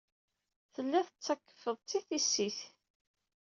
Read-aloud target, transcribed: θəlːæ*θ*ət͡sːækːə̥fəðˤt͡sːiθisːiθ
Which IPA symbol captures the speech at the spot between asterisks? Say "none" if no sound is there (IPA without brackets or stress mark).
θ